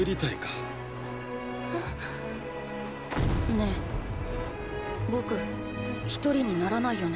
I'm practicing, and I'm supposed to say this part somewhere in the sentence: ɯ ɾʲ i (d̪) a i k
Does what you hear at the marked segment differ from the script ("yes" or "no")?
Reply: yes